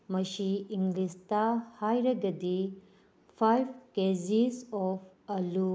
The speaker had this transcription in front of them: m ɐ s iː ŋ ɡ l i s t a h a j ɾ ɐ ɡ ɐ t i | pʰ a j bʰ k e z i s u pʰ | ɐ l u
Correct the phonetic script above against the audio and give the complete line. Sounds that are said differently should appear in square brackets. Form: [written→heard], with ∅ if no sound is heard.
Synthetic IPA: m ɐ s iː ŋ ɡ l i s t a h a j ɾ ɐ ɡ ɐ [t→d] i | pʰ a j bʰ k e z i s [u→ɔ] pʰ | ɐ l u

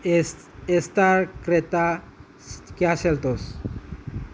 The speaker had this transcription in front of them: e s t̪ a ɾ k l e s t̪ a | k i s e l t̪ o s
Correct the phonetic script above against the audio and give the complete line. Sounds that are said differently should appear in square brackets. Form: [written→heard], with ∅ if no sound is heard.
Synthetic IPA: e s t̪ a ɾ k [l→ɾ] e [s→∅] t̪ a | k [i→a] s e l t̪ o s

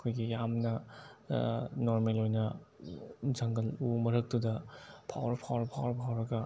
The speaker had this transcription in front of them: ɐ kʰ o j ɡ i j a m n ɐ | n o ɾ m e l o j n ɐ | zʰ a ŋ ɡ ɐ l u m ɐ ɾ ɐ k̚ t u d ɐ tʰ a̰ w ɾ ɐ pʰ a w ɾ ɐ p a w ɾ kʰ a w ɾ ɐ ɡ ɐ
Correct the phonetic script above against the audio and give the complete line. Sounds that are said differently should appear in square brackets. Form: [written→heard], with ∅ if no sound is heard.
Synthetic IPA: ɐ kʰ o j ɡ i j a m n ɐ | n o ɾ m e l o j n ɐ | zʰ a ŋ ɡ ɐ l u m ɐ ɾ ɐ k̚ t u d ɐ [tʰ→pʰ] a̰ w ɾ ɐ pʰ a w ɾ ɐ [p→pʰ] a w ɾ [kʰ→pʰ] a w ɾ ɐ ɡ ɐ

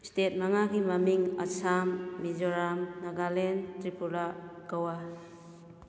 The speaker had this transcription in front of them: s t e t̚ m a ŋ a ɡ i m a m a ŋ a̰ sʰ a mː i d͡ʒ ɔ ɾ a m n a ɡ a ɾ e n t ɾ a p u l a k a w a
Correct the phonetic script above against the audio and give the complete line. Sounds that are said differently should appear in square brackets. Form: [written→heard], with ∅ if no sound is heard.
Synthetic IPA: s t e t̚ m a ŋ a ɡ i m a m [a→i] ŋ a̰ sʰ a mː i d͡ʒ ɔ ɾ a m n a ɡ a [ɾ→l] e n t ɾ [a→i] p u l a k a w a

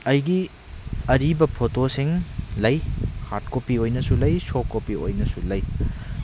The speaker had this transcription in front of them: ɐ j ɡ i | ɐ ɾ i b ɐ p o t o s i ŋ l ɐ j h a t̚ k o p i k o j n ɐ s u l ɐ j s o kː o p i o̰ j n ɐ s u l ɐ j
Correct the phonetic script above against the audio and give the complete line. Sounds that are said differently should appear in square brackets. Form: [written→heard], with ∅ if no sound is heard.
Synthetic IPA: ɐ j ɡ i | ɐ ɾ i b ɐ [p→pʰ] o t o s i ŋ l ɐ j h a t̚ k o p i [k→∅] o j n ɐ s u l ɐ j s o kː o p i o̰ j n ɐ s u l ɐ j

